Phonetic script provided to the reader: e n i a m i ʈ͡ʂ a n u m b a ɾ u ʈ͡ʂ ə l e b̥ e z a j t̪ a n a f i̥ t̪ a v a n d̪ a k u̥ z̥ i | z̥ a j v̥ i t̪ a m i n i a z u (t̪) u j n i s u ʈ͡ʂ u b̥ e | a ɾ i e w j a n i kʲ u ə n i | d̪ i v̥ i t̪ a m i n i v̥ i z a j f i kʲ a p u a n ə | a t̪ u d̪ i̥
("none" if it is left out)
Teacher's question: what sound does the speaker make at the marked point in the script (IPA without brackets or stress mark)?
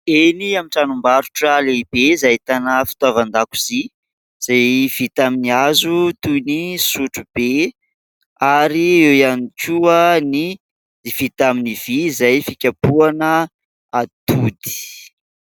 t̪